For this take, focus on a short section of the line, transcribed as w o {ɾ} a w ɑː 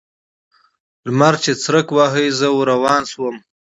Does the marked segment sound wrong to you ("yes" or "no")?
no